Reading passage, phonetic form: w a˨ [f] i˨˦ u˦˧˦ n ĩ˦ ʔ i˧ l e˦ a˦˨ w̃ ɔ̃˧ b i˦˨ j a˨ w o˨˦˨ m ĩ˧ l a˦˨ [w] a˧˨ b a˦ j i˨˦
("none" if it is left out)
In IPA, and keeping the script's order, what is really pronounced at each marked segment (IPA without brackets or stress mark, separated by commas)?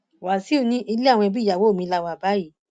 s, w